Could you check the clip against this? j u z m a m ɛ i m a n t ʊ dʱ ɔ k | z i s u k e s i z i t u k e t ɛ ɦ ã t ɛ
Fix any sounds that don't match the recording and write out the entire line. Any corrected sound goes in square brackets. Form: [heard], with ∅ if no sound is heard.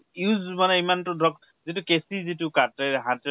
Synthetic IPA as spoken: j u z m a [n] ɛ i m a n t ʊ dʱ ɔ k | z i [t] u k e s i z i t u k [a] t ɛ ɦ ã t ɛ

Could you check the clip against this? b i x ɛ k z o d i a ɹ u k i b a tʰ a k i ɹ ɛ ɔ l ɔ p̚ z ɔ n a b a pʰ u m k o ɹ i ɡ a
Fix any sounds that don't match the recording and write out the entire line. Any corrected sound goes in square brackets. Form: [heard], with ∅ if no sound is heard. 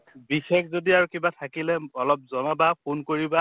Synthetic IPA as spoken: b i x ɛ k z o d i a ɹ u k i b a tʰ a k i [l] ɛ ɔ l ɔ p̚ z ɔ n a b a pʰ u [n] k o ɹ i [b] a

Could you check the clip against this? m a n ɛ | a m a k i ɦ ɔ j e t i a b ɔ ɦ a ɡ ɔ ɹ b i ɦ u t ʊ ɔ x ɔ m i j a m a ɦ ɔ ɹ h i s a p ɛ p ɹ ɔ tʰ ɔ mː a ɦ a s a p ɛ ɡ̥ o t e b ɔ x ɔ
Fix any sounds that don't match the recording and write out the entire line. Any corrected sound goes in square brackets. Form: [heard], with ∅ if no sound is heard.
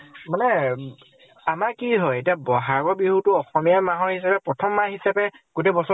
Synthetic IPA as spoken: m a n ɛ | a m a k i ɦ ɔ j e t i a b ɔ ɦ a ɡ ɔ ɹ b i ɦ u t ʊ ɔ x ɔ m i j a m a ɦ ɔ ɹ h i s a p ɛ p ɹ ɔ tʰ ɔ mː a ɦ [i] s a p ɛ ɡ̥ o t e b ɔ [s] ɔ

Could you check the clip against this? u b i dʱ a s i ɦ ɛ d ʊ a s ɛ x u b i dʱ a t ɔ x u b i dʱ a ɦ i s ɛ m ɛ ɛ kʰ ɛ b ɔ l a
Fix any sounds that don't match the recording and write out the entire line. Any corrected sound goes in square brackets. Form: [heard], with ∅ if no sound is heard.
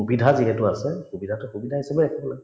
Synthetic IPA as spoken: u b i dʱ a [z] i ɦ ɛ [t] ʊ a s ɛ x u b i dʱ a t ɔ x u b i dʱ a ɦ i s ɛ [b] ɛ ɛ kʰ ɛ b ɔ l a

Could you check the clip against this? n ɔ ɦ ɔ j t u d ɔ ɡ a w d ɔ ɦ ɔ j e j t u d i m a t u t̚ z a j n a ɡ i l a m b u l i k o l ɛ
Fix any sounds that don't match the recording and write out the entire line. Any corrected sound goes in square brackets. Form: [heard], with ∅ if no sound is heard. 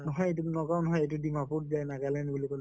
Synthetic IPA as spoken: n ɔ ɦ ɔ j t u [n] ɔ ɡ a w [n] ɔ ɦ ɔ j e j t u d i m a [p] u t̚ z a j n a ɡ [a] l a [n] b u l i k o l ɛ

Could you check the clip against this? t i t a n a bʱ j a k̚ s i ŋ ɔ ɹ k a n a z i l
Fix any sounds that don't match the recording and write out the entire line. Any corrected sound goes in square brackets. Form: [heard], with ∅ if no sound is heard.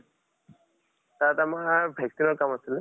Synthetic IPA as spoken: t [a] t a [m] a bʱ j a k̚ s i [n] ɔ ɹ k a [m] a [s] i l

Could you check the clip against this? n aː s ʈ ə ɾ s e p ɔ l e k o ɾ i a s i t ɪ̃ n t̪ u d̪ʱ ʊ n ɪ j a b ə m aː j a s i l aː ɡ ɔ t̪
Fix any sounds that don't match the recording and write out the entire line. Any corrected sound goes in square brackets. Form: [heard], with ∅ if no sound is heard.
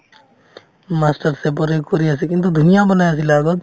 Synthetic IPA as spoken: [m] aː s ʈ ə ɾ s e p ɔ [ɾ] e k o ɾ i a s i [k] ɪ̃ n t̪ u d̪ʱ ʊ n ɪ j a b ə [n] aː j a s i l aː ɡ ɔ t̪

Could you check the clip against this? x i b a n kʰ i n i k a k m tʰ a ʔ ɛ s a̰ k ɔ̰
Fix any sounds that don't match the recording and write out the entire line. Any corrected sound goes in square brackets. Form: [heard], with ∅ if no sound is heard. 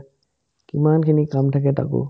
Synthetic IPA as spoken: [k] i [m] a n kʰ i n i k a [∅] m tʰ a [k] ɛ [t] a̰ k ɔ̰

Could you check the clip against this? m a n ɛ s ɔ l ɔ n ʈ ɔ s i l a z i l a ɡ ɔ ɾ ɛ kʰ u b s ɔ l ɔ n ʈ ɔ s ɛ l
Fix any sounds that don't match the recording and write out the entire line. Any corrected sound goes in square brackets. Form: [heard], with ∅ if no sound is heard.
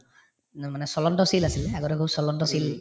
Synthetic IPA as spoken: m a n ɛ s ɔ l ɔ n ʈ ɔ s i l a [s] i l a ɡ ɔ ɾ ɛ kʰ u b s ɔ l ɔ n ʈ ɔ s [i] l

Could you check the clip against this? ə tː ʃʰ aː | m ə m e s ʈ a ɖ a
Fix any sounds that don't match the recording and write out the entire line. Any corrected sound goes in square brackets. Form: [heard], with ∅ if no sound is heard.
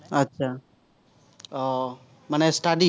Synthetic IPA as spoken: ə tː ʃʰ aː | m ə [n] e s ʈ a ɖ [i]

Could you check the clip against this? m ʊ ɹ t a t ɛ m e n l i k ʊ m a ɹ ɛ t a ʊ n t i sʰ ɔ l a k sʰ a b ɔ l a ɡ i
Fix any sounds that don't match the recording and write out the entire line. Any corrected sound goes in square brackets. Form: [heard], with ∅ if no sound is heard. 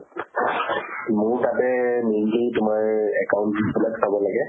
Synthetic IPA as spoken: m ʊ ɹ t a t ɛ m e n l i [t] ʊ m a ɹ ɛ [k] a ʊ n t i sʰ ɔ l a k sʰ a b ɔ l a ɡ [ɛ]

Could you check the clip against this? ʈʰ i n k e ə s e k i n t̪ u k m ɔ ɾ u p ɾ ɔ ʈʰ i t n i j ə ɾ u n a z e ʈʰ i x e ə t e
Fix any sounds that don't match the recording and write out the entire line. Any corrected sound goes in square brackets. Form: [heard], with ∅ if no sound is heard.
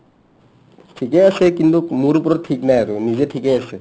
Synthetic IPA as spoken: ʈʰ i [∅] k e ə s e k i n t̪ u k m [u] ɾ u p ɾ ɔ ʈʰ i [k] n [a] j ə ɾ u n [i] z e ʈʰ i [k] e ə [s] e

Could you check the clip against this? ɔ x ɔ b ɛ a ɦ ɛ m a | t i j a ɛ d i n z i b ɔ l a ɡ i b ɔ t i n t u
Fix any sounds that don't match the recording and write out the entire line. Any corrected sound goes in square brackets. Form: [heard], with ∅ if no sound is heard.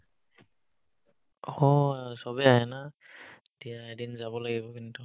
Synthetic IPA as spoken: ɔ [s] ɔ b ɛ a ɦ ɛ [n] a | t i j a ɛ d i n z [a] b ɔ l a ɡ i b ɔ [k] i n t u

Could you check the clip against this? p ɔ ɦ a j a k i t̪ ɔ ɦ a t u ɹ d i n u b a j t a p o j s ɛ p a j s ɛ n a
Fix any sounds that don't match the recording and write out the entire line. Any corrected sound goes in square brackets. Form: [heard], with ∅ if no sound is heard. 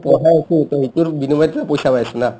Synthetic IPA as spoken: p ɔ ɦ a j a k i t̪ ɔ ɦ [i] t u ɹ [b] i n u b a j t a p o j s [a] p a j s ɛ n a

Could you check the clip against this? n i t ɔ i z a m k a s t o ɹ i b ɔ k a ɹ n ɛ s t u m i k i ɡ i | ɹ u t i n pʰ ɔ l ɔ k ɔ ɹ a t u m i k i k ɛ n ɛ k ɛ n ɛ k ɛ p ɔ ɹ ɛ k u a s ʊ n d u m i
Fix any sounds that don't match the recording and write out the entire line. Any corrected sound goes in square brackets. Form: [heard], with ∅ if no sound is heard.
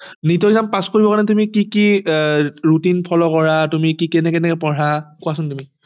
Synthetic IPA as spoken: n i t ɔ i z a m [p] a s [k] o ɹ i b ɔ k a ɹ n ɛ [∅] t u m i k i [k] i | ɹ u t i n pʰ ɔ l ɔ k ɔ ɹ a t u m i k i k ɛ n ɛ k ɛ n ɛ k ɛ p ɔ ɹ [a] k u a s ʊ n [t] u m i

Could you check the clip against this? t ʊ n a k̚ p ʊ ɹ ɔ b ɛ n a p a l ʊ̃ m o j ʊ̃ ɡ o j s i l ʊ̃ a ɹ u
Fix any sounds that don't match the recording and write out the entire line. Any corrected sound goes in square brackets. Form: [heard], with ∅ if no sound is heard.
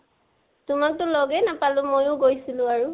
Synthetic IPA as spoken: t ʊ [m] a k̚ [t] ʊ [l] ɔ [ɡ] ɛ n a p a l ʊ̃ m o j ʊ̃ ɡ o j s i l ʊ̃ a ɹ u

